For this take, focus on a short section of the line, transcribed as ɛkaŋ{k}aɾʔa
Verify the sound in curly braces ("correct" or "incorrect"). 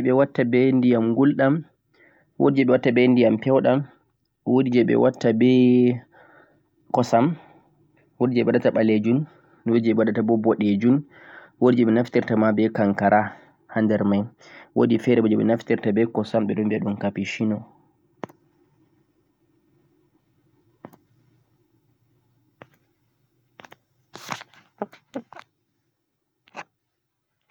correct